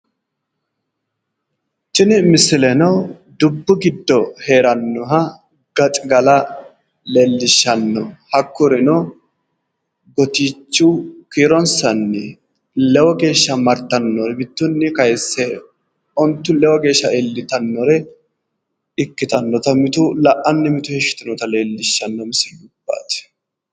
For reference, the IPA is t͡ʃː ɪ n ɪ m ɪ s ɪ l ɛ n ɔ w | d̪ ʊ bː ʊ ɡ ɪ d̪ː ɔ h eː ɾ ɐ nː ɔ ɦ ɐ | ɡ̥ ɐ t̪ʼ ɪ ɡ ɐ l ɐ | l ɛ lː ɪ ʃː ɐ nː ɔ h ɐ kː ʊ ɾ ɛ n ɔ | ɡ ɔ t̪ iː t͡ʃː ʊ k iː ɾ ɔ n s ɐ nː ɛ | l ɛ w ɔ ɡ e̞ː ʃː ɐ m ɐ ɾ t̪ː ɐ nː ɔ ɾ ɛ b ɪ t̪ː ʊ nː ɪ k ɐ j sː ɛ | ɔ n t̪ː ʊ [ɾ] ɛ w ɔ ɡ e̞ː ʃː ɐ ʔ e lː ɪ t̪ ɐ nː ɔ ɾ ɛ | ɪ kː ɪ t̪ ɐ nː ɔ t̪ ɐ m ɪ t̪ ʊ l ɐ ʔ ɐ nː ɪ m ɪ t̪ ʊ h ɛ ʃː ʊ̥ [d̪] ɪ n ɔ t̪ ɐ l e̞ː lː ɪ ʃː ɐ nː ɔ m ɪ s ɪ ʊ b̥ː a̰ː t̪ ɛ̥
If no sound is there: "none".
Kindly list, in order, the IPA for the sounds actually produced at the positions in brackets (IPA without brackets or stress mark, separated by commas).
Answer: l, t̪